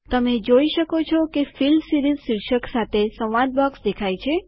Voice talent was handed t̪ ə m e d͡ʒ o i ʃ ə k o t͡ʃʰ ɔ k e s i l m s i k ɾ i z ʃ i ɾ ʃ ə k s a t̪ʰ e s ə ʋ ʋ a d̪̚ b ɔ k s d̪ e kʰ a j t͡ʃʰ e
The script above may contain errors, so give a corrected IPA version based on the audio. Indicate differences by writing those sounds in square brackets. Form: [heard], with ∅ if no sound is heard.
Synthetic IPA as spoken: t̪ ə m e d͡ʒ o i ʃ ə k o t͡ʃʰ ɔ k e [f] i l m s i [∅] ɾ i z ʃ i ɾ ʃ ə k s a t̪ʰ e s ə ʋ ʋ a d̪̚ b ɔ k s d̪ e kʰ a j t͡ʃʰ e